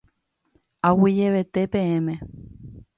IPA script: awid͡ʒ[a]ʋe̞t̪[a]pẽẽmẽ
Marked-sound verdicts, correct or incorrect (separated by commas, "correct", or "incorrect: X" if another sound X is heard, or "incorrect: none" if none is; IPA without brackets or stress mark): incorrect: e, incorrect: e